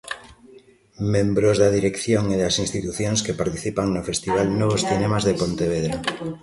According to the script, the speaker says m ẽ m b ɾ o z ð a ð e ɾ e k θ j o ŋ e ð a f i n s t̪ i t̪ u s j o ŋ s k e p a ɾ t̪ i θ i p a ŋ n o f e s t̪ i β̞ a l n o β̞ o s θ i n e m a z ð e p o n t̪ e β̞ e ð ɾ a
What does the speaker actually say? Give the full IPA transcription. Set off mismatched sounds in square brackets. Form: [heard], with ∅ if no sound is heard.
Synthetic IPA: m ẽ m b ɾ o z ð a ð [i] ɾ e k θ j o ŋ e ð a [s] i n s t̪ i t̪ u [θ] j o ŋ s k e p a ɾ t̪ i θ i p a ŋ n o f e s t̪ i β̞ a l n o β̞ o s θ i n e m a z ð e p o n t̪ e β̞ e ð ɾ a